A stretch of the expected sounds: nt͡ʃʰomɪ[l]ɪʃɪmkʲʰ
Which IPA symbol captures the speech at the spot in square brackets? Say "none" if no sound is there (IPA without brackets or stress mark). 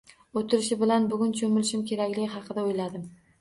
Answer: l